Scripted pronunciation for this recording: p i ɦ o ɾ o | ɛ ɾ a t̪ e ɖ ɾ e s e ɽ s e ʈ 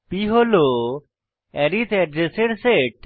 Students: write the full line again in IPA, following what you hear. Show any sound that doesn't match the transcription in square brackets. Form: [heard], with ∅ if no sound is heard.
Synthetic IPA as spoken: p i ɦ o [l] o | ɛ ɾ [i] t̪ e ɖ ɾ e s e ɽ s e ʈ